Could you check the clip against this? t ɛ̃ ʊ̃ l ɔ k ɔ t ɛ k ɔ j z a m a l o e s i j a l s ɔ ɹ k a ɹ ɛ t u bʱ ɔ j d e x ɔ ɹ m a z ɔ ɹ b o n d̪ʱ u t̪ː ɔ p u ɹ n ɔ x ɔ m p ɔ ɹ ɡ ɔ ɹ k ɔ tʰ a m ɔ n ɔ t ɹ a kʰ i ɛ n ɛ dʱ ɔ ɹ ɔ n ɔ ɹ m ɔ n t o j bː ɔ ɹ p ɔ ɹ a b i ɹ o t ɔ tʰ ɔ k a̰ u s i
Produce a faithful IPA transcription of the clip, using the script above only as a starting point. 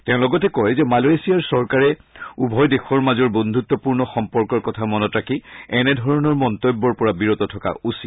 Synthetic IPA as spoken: t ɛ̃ ʊ̃ l ɔ ɡ ɔ t ɛ k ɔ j z ɛ m a l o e s i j a ɹ s ɔ ɹ k a ɹ ɛ u bʱ ɔ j d e x ɔ ɹ m a z ɔ ɹ b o n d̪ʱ u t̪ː ɔ p u ɹ n ɔ x ɔ m p ɔ ɹ k ɔ ɹ k ɔ tʰ a m ɔ n ɔ t ɹ a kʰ i ɛ n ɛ dʱ ɔ ɹ ɔ n ɔ ɹ m ɔ n t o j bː ɔ ɹ p ɔ ɹ a b i ɹ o t ɔ tʰ ɔ k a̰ u s i